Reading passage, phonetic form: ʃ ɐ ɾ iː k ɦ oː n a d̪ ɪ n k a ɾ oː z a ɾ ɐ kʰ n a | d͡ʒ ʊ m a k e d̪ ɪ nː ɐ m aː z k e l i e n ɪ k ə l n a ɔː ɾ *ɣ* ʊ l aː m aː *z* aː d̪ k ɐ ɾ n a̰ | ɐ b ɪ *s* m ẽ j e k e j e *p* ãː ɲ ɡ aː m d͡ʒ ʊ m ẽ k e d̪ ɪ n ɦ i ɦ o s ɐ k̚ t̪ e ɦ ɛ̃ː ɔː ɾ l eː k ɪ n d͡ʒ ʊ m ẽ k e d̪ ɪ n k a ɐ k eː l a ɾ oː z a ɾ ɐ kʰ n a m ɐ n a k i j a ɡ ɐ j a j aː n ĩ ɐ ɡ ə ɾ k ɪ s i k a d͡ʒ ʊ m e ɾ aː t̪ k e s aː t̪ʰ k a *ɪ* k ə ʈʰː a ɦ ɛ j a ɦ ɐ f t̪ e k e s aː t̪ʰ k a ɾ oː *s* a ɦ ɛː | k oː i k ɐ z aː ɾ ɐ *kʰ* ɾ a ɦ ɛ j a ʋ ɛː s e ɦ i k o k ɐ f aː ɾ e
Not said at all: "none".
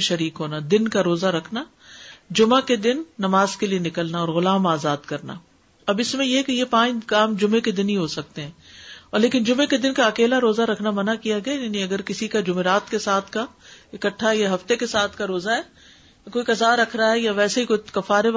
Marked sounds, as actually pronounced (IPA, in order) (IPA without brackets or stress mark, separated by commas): ɣ, z, s, p, ɪ, z, kʰ